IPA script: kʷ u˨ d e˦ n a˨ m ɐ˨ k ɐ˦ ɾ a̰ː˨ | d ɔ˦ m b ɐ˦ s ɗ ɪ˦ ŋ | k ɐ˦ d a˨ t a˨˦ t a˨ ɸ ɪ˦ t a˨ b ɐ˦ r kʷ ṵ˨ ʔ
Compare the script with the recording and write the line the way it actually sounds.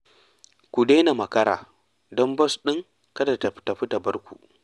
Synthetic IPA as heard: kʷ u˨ d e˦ n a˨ m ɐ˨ k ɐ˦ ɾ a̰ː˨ | d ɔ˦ m b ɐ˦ s ɗ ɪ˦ ŋ | k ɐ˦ d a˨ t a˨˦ t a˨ ɸ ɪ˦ t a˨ b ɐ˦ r kʷ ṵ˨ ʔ